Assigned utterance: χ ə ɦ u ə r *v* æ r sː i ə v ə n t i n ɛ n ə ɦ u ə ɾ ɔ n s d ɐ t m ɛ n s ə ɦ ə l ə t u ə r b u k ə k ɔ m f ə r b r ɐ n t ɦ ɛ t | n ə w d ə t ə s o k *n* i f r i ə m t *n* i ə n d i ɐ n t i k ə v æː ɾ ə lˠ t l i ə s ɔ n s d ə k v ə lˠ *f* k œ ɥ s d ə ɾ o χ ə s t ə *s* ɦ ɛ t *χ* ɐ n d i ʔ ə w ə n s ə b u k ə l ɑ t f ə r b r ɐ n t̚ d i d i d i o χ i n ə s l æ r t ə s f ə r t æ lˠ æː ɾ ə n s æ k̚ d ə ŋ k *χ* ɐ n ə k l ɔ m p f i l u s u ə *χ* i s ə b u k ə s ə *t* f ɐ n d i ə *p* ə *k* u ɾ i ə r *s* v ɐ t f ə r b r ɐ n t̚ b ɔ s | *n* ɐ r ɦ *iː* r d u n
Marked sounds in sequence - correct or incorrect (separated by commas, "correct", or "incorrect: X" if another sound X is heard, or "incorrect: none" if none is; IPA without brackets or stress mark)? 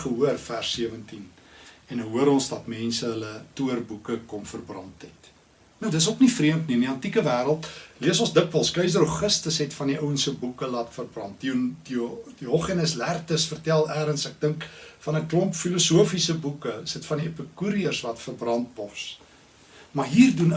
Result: incorrect: f, correct, correct, incorrect: s, correct, incorrect: f, incorrect: f, incorrect: f, correct, correct, correct, correct, incorrect: m, correct